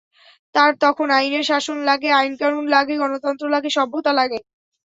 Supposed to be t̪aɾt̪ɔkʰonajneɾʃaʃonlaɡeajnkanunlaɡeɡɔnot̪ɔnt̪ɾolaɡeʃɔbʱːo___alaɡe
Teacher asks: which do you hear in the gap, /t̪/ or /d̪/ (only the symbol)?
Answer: t̪